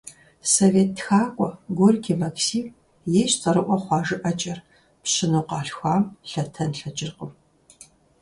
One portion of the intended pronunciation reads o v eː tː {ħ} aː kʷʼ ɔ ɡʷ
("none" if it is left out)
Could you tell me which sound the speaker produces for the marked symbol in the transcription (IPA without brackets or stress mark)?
x